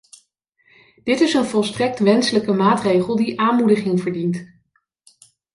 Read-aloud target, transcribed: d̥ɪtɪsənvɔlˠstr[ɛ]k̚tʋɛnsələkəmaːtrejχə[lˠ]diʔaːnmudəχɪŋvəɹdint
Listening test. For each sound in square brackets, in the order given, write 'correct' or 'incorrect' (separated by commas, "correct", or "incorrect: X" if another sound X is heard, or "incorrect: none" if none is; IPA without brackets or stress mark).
correct, correct